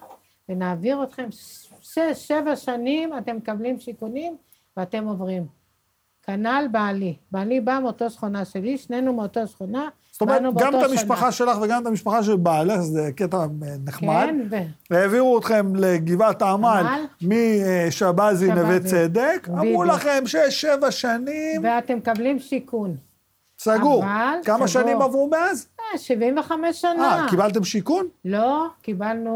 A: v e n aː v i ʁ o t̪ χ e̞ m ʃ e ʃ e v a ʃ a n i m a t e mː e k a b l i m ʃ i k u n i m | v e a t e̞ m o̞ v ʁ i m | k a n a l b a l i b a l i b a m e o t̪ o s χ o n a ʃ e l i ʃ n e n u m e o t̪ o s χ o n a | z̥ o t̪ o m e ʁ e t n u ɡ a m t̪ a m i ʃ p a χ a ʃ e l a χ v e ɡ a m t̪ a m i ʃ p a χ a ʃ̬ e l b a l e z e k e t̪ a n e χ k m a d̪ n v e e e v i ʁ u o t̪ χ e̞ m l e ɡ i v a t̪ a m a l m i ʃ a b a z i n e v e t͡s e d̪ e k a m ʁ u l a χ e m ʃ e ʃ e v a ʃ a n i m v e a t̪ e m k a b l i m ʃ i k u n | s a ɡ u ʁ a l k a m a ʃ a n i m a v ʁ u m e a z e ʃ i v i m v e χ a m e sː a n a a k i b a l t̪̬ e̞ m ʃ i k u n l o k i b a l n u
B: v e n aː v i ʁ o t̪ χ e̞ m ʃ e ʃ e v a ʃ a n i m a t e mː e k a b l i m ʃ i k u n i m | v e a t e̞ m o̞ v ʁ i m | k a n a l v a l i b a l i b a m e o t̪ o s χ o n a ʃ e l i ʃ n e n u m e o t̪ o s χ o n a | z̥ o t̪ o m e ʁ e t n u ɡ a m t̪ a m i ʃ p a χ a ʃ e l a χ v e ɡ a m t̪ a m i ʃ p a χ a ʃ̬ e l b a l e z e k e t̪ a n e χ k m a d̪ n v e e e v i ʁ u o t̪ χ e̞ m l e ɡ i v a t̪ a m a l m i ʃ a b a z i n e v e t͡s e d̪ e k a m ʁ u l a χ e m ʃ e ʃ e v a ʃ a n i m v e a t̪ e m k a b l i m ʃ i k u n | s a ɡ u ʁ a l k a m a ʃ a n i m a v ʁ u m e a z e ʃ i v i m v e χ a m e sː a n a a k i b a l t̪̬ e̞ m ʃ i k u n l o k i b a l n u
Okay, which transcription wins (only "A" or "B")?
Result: A